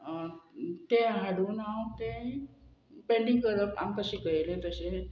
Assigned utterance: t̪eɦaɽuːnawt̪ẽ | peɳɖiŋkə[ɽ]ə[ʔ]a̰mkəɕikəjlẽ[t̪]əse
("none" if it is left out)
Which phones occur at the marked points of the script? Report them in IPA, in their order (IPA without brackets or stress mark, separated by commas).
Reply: ɾ, p, t̪